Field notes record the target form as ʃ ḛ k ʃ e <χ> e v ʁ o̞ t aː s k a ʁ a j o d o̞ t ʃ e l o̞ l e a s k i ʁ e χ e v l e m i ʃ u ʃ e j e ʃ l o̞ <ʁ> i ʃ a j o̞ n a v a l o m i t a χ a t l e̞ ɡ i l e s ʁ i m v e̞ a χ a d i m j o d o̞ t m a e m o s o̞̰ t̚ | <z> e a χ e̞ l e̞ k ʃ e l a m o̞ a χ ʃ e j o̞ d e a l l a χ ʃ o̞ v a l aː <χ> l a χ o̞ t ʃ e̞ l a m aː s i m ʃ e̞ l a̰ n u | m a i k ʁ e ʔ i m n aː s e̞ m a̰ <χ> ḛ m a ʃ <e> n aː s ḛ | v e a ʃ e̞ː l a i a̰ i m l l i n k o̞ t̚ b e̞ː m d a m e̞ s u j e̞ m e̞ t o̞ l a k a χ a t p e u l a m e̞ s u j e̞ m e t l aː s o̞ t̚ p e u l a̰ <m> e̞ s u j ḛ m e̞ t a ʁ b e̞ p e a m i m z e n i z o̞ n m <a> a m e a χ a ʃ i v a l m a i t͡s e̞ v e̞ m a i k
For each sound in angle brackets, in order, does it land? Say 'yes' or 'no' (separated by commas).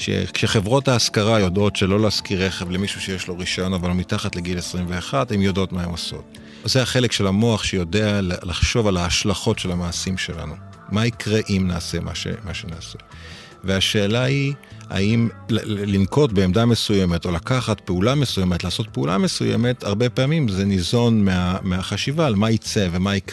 yes, yes, yes, no, no, yes, yes, no